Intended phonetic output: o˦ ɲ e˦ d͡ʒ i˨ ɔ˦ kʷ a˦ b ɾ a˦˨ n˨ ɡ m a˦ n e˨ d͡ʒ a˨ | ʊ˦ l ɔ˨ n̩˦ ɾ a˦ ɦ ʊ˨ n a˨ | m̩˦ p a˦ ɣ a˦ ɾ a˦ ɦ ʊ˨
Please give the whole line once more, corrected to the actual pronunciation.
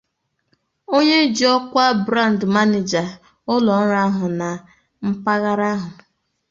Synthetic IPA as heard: o˦ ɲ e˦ d͡ʒ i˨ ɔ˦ kʷ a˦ b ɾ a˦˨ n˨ d m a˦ n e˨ d͡ʒ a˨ | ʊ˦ l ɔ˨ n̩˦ ɾ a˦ ɦ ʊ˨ n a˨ | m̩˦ p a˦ ɣ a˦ ɾ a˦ ɦ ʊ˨